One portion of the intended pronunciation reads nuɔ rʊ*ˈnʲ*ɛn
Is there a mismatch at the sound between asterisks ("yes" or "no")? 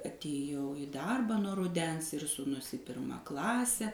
yes